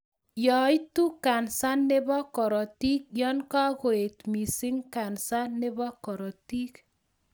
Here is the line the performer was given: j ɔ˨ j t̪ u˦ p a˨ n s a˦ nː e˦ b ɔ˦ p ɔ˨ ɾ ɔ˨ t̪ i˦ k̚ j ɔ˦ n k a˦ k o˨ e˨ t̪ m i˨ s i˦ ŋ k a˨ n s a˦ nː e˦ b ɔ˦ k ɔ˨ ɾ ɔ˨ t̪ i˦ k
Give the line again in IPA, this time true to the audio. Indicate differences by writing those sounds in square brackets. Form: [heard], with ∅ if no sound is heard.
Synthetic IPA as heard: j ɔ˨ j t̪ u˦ [k] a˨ n s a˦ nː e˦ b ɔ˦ [k] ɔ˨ ɾ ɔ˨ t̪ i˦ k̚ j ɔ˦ n k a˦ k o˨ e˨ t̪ m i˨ s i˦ ŋ k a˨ n s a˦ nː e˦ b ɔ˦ k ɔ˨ ɾ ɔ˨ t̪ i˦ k